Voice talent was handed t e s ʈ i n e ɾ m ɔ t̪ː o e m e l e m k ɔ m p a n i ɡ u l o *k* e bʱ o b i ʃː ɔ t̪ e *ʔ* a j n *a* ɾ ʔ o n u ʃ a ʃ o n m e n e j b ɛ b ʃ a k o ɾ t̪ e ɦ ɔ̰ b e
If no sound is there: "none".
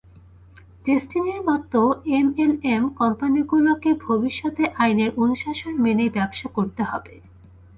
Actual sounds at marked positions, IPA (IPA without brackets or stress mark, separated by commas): k, ʔ, e